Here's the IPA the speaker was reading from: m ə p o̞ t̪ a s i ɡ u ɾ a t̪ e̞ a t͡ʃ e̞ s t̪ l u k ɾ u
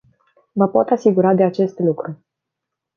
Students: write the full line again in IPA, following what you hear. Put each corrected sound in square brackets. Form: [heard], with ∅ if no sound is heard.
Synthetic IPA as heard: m ə p o̞ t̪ a s i ɡ u ɾ a [d̪] e̞ a t͡ʃ e̞ s t̪ l u k ɾ u